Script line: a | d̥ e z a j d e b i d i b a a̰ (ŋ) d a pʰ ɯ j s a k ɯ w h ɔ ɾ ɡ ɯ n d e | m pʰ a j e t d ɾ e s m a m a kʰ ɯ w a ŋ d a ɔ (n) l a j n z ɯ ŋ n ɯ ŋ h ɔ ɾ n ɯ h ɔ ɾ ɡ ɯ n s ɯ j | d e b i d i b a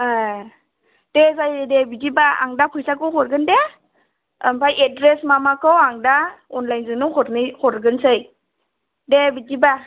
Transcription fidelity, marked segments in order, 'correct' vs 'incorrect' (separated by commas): correct, correct